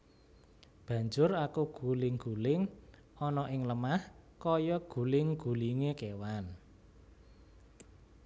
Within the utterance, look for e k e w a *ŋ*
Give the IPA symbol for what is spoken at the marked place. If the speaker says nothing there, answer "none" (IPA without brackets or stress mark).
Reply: n